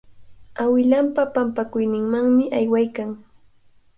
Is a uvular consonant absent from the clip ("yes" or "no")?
yes